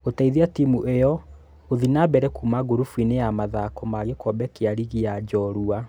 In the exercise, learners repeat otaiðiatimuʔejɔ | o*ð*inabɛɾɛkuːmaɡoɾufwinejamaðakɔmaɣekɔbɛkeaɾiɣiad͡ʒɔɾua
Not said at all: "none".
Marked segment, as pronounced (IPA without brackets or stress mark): ð